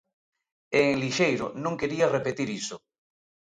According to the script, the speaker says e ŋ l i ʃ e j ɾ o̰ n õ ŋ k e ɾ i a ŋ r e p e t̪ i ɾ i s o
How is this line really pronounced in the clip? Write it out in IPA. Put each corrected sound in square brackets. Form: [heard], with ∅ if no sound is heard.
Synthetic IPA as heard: e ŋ l i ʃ e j ɾ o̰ n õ ŋ k e ɾ i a [∅] r e p e t̪ i ɾ i s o